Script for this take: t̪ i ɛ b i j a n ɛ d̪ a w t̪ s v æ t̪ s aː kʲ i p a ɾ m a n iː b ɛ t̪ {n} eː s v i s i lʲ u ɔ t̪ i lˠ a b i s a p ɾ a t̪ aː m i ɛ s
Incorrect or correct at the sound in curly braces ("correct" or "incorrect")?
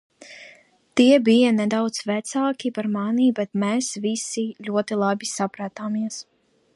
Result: incorrect